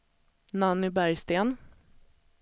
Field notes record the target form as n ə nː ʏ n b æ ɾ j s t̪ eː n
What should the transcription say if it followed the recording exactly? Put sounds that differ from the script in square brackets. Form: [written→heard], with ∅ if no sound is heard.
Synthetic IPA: n [ə→a] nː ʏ [n→∅] b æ ɾ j s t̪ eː n